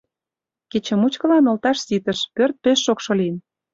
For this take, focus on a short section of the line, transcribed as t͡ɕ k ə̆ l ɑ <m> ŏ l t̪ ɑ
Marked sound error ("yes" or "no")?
yes